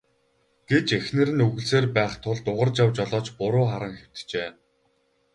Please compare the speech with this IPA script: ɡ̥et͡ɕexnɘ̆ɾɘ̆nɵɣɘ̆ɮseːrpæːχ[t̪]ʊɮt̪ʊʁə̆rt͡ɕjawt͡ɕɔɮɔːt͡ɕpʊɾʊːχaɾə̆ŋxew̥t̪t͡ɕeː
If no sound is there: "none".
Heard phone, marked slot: t̪ʰ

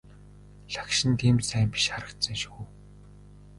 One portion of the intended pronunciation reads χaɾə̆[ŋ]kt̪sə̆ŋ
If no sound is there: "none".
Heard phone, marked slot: none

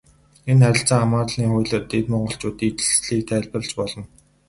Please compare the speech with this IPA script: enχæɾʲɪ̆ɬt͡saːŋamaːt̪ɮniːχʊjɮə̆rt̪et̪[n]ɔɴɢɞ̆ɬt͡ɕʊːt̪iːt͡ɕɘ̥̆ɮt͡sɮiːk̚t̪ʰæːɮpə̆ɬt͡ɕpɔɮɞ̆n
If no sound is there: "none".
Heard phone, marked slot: m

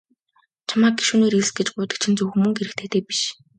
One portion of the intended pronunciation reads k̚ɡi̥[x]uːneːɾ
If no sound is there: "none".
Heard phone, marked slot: ʃ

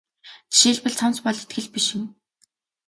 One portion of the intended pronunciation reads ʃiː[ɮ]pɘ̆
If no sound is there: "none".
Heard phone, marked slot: ɮ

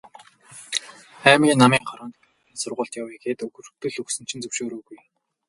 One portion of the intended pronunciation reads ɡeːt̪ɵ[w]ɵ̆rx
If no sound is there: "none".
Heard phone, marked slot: ɣ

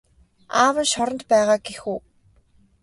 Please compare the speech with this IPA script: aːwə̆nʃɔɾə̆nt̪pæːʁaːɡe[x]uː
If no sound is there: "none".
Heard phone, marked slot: x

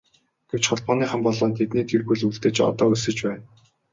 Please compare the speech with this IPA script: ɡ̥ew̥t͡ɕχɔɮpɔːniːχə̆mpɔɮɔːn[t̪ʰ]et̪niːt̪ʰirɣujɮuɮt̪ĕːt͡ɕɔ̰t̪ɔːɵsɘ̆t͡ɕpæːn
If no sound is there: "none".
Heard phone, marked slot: t̪ʰ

